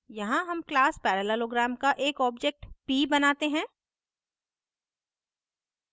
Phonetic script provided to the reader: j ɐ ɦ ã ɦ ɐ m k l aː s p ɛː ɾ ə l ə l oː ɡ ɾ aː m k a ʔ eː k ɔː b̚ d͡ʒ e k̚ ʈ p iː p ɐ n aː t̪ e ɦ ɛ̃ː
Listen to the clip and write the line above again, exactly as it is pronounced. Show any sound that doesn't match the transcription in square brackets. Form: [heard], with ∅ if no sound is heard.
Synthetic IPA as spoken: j ɐ ɦ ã ɦ ɐ m k l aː s p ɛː ɾ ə l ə l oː ɡ ɾ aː m k a ʔ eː k ɔː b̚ d͡ʒ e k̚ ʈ p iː [b] ɐ n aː t̪ e ɦ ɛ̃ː